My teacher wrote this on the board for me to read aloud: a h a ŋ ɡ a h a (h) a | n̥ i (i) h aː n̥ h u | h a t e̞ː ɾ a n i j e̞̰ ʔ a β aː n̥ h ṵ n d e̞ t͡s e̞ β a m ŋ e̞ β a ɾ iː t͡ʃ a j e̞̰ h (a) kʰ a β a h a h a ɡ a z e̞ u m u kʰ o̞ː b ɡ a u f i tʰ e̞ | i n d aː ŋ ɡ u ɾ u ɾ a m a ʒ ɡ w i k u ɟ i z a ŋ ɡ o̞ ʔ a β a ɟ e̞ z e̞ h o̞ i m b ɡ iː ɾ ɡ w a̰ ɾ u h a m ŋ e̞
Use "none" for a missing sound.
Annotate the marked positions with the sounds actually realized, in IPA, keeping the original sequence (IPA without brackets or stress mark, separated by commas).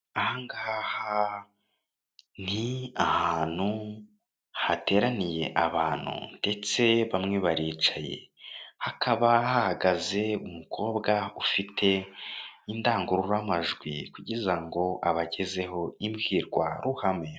h, a, a